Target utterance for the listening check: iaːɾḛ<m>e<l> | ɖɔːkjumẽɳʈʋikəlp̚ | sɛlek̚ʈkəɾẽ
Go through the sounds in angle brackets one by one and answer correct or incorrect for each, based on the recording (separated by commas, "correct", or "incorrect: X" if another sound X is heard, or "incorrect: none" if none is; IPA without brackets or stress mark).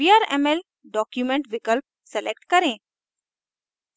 correct, correct